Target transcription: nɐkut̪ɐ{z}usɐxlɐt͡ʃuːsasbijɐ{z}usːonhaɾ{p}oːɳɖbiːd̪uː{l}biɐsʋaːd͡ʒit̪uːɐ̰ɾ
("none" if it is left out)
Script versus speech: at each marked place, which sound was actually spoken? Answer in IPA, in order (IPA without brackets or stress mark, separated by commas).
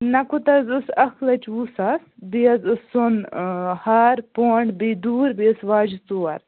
z, z, p, ɾ